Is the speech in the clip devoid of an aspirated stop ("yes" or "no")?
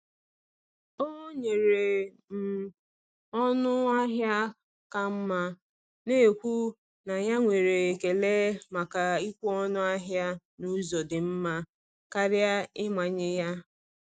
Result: yes